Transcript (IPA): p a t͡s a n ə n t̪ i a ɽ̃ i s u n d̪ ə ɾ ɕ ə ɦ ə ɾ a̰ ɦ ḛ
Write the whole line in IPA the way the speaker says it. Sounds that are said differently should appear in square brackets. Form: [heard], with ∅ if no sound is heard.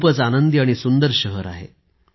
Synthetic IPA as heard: p [ə] t͡s a n ə n [d̪] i a ɽ̃ i s u n d̪ ə ɾ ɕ ə ɦ ə ɾ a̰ ɦ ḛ